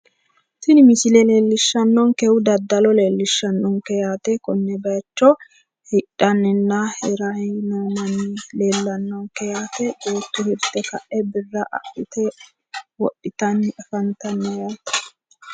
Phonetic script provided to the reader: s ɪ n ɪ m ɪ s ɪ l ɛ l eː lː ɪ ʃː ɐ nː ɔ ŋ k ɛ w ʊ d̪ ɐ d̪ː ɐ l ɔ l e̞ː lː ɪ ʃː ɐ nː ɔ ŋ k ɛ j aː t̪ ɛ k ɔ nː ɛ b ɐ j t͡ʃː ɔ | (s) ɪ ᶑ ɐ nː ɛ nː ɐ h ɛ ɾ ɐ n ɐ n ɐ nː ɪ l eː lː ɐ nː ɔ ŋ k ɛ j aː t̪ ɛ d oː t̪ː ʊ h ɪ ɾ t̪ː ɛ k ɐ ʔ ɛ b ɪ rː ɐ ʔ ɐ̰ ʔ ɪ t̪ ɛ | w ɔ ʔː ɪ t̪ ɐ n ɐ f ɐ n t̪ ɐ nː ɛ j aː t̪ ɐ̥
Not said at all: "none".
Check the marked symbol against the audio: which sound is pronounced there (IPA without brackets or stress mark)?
h